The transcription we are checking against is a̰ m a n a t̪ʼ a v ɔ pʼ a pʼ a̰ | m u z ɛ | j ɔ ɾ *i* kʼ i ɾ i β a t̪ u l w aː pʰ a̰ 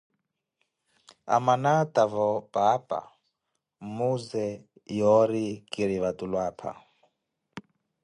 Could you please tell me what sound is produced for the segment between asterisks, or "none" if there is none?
i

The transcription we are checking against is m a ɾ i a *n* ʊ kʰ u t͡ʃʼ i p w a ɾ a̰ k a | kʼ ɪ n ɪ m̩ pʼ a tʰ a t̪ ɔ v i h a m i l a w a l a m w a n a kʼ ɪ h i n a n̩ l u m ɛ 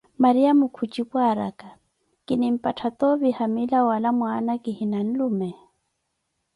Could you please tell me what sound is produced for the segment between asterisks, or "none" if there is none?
m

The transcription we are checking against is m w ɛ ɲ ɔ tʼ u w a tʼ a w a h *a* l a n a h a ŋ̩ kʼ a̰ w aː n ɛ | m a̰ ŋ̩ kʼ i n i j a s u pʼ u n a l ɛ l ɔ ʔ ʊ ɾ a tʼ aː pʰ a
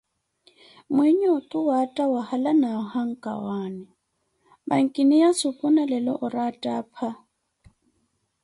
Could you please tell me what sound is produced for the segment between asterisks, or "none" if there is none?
a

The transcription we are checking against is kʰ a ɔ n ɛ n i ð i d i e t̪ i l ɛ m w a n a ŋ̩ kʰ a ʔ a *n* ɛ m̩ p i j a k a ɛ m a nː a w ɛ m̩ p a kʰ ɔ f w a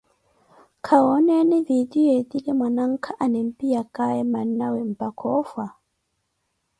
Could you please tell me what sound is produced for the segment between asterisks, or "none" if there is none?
n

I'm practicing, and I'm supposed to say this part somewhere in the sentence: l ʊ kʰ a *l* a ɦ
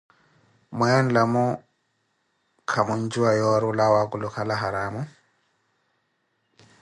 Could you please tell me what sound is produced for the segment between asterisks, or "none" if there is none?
l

